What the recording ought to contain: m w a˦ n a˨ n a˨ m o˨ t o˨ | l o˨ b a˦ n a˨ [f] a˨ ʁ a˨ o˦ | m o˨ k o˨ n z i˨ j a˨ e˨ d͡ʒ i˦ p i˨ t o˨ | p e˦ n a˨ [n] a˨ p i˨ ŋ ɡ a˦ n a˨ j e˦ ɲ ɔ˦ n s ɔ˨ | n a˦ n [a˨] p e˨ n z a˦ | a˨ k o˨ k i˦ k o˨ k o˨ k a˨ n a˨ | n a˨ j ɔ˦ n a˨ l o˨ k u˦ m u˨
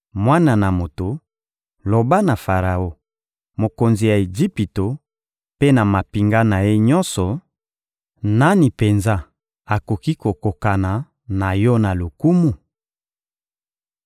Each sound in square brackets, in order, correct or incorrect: correct, incorrect, incorrect

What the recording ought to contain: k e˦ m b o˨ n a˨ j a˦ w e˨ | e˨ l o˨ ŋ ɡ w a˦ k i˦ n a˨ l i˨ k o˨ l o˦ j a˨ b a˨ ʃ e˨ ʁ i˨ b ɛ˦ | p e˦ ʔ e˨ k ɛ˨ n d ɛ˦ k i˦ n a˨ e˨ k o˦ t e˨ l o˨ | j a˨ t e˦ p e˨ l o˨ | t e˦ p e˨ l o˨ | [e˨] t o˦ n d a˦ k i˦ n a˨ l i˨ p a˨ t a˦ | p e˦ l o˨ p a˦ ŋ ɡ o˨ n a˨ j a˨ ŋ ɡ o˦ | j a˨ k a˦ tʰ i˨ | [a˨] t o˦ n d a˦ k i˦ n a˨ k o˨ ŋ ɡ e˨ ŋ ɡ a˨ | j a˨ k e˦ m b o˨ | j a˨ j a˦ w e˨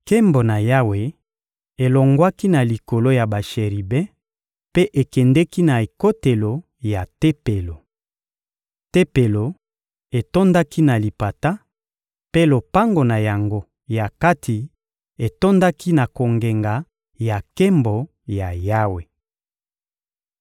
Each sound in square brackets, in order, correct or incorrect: correct, incorrect

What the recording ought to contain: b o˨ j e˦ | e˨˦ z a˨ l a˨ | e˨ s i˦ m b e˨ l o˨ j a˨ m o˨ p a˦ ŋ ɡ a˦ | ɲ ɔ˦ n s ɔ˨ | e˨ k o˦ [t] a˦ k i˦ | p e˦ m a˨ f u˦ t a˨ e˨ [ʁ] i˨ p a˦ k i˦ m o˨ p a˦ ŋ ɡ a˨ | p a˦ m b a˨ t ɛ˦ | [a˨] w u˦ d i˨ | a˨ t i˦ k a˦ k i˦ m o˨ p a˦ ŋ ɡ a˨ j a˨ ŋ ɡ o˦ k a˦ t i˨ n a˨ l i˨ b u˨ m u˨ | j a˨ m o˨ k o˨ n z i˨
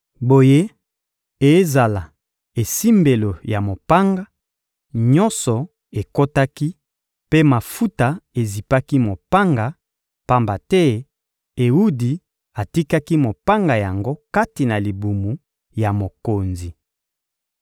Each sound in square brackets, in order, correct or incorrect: correct, incorrect, incorrect

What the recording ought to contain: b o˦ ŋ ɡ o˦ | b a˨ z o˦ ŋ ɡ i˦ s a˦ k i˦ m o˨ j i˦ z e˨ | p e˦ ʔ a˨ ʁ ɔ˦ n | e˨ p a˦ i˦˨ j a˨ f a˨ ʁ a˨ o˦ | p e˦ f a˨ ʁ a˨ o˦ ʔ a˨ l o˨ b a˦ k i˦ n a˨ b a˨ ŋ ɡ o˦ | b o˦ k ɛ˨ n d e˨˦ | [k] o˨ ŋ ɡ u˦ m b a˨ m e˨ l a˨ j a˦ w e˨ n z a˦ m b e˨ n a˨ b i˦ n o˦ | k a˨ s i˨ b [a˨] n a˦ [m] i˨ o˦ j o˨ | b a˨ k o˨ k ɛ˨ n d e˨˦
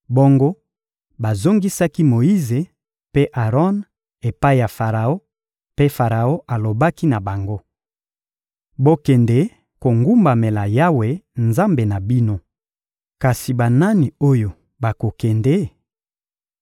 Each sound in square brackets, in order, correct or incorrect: correct, correct, incorrect

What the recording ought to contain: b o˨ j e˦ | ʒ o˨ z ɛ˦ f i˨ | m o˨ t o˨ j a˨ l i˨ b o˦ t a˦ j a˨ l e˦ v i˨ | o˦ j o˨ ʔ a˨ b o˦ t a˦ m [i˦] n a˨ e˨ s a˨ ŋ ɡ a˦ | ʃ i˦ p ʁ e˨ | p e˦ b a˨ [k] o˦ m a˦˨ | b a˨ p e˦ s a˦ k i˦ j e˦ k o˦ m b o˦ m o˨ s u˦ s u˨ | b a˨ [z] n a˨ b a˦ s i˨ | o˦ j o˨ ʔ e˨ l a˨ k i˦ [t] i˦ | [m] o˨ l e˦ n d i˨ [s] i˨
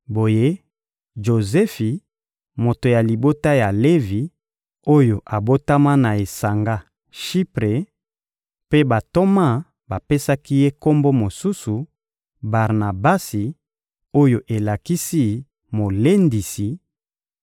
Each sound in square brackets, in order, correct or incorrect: incorrect, incorrect, incorrect, incorrect, correct, correct

